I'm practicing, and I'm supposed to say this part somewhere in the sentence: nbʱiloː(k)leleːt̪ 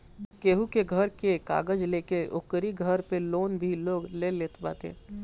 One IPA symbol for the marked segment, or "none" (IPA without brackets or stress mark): ɡ